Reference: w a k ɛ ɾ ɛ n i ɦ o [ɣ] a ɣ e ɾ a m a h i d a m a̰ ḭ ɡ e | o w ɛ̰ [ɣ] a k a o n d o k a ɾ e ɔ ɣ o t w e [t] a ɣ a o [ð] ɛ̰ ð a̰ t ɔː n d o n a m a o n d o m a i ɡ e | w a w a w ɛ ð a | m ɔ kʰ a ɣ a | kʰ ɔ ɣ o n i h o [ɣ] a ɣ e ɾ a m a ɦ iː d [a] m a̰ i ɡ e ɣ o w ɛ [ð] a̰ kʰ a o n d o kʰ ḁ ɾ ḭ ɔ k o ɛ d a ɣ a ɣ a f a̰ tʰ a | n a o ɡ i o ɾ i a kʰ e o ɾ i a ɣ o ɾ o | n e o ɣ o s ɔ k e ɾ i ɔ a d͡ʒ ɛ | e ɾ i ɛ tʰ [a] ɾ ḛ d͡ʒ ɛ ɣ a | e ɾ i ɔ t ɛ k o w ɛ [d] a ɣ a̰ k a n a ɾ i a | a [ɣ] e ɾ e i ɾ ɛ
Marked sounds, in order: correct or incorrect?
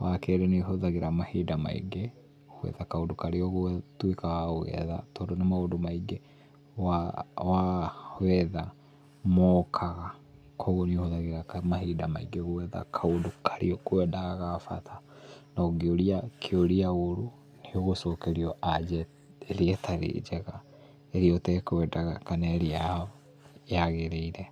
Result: incorrect: ð, incorrect: ð, incorrect: k, incorrect: ɣ, incorrect: ð, correct, correct, correct, correct, correct

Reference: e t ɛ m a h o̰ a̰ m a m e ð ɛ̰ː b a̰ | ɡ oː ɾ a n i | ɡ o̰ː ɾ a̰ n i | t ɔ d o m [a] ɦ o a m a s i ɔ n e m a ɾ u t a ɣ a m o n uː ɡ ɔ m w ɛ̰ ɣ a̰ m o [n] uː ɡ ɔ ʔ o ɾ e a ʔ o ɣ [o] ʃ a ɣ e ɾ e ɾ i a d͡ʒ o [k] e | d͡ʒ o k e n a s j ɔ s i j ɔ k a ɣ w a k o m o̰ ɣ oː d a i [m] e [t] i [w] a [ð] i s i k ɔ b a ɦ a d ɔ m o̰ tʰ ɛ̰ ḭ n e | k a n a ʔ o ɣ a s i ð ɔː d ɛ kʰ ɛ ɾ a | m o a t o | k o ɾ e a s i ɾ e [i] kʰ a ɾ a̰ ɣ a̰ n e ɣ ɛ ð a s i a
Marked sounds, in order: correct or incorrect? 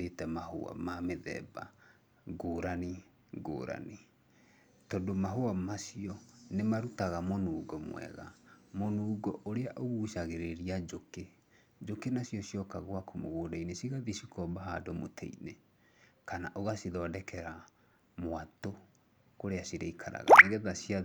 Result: correct, correct, incorrect: u, correct, incorrect: n, incorrect: s, incorrect: ɣ, correct, correct

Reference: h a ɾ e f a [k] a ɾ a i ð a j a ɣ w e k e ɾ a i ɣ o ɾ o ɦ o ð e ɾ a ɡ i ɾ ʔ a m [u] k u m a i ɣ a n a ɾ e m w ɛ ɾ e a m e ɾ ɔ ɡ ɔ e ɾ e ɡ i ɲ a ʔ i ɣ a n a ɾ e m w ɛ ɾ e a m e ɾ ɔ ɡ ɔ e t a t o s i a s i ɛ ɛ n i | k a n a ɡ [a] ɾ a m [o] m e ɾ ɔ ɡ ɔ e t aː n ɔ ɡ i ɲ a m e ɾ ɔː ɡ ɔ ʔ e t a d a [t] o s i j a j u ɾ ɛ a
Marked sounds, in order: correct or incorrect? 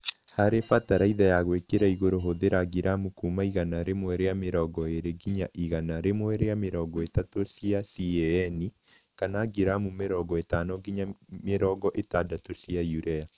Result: incorrect: t, correct, incorrect: i, incorrect: u, correct

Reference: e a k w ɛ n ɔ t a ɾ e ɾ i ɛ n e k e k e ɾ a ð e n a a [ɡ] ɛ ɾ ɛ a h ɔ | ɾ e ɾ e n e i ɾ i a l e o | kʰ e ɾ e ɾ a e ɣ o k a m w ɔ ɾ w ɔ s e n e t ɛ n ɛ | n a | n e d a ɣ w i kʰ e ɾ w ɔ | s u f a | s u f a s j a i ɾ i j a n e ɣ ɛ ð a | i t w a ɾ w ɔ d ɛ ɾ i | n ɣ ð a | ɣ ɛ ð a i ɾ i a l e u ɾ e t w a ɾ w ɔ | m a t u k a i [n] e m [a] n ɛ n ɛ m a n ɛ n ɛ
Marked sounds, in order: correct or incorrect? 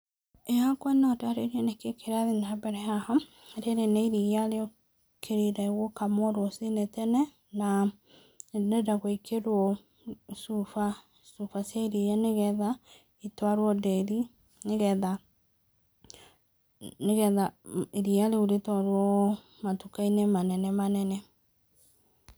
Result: incorrect: b, correct, correct

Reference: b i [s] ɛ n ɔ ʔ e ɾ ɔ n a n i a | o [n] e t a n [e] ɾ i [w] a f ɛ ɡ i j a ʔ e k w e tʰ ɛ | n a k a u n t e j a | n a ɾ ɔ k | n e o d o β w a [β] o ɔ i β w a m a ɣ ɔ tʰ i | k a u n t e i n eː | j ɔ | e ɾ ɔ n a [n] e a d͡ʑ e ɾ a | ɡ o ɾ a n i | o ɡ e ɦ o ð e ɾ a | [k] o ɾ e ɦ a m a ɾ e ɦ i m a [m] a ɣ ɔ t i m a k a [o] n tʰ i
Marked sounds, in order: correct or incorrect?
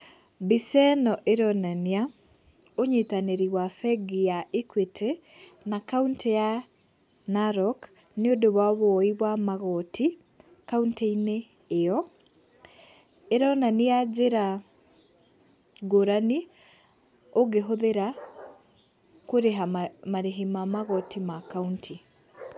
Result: correct, incorrect: ɲ, correct, correct, correct, correct, correct, correct, incorrect: u

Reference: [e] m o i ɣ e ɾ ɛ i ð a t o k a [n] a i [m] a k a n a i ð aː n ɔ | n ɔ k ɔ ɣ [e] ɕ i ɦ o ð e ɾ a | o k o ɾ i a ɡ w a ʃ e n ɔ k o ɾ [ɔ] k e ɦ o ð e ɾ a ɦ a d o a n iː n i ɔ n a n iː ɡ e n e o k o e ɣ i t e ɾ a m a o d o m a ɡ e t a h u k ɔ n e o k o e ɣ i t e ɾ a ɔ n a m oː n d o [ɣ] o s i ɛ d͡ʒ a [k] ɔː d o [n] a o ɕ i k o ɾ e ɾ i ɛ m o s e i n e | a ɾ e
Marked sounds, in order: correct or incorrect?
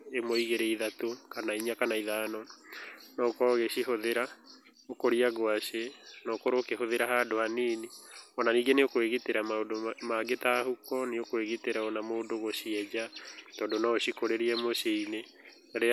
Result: correct, correct, incorrect: ɲ, correct, incorrect: o, correct, incorrect: t, correct

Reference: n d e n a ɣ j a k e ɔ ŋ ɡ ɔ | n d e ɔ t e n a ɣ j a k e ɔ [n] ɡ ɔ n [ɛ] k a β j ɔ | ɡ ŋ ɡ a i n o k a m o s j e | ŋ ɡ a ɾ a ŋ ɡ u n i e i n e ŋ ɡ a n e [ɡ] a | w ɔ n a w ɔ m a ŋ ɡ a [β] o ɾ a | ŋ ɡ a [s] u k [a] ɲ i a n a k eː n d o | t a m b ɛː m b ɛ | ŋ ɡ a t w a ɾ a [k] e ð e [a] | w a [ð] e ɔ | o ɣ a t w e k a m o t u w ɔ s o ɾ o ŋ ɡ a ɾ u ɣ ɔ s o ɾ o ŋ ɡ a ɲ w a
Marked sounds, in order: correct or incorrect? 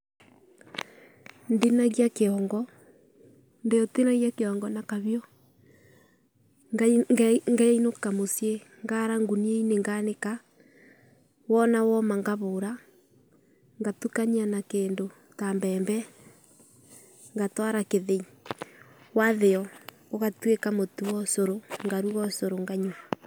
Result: incorrect: ŋ, incorrect: a, incorrect: k, correct, incorrect: t, correct, correct, incorrect: i, correct

